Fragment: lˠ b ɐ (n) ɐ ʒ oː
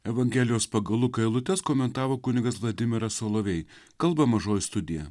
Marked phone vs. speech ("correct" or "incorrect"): incorrect